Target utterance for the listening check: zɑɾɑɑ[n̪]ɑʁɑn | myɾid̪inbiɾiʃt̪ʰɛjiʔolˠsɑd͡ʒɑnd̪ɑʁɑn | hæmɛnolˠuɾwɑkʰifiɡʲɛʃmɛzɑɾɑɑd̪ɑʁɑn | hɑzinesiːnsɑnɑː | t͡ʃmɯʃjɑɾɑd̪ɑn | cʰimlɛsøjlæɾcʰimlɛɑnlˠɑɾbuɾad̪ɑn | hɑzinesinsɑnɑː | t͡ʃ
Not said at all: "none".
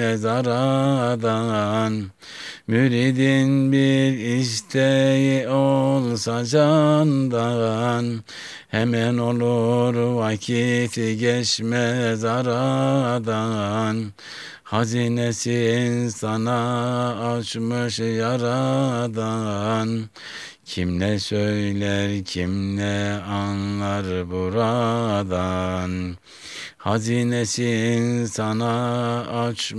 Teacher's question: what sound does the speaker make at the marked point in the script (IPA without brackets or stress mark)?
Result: d̪